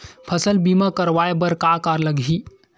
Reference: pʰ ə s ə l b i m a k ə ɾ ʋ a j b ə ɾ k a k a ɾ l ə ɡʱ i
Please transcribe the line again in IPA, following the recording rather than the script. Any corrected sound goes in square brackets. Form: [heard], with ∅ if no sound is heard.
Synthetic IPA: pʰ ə s ə l b i m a k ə ɾ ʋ a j b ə ɾ k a k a ɾ l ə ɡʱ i